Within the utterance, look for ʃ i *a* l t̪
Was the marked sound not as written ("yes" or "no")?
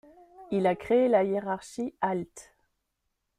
no